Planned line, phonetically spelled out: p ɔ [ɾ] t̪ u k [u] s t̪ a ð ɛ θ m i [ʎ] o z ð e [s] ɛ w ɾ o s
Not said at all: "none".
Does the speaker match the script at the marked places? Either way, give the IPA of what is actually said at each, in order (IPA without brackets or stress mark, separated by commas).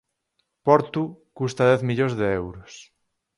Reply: ɾ, u, ʎ, none